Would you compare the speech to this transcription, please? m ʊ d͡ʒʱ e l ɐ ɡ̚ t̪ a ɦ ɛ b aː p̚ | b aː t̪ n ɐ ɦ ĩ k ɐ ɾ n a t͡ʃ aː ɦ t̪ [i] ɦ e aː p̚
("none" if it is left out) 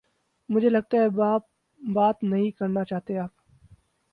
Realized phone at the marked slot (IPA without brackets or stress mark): e